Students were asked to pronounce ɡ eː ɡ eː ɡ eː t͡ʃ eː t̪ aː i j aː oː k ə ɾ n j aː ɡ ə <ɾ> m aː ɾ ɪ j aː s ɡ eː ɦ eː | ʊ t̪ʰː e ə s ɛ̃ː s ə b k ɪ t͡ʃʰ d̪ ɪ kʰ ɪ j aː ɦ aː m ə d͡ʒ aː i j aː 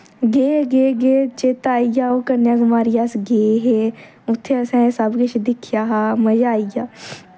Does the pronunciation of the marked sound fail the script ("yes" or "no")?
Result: yes